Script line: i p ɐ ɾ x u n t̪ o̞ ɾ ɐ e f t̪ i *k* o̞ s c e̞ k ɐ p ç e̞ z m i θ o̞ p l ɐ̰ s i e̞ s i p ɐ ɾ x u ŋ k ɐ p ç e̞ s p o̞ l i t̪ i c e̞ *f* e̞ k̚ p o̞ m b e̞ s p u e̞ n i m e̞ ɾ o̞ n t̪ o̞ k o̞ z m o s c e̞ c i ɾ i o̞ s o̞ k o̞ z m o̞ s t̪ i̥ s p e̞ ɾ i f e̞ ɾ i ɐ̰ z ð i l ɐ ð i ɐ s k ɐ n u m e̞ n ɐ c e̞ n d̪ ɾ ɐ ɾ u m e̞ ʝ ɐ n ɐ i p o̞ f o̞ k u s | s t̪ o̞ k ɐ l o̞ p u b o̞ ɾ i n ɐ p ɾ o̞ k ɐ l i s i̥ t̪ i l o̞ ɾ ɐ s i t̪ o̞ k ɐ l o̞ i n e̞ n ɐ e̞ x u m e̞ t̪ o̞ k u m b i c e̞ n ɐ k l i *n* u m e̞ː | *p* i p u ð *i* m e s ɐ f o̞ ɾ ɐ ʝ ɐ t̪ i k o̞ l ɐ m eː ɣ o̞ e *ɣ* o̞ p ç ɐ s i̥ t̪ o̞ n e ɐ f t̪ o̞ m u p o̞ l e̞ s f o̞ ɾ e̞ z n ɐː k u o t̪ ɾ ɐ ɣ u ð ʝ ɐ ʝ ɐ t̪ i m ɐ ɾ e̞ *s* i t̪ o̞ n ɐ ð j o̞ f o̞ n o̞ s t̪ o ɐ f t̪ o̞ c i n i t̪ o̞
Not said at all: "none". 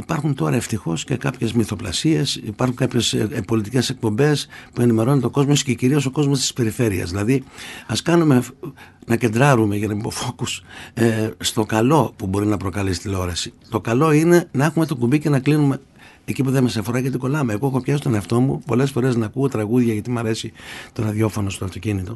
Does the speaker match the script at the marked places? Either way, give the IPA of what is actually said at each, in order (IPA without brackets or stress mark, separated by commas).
x, s, n, c, e, x, s